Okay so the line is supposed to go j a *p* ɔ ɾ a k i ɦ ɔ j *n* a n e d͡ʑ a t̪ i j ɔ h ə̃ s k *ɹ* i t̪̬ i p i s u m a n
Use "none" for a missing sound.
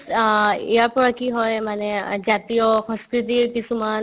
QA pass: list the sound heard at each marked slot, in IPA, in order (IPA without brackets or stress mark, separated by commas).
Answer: p, m, ɾ